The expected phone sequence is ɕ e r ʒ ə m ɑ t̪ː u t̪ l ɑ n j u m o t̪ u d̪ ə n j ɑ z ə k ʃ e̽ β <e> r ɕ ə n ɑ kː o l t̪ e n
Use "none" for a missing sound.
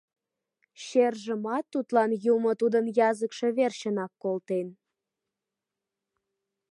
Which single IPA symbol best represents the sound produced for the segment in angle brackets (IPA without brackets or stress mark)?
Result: e